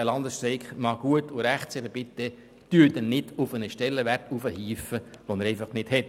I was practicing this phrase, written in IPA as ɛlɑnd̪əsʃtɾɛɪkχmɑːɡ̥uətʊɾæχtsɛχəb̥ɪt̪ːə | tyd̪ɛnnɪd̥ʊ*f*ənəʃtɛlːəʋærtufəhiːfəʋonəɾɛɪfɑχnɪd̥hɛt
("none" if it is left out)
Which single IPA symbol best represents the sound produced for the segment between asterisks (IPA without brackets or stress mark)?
f